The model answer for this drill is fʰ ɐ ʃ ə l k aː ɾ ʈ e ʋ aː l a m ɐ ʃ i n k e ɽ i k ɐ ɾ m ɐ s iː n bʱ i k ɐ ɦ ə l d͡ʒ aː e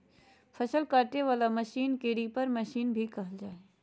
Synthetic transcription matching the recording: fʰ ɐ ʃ ə l k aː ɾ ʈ e ʋ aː l a m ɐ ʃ iː n k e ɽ i p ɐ ɾ m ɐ ʃ iː n bʱ i k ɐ ɦ ə l d͡ʒ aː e